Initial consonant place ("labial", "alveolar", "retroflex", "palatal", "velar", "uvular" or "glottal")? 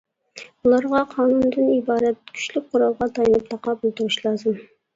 alveolar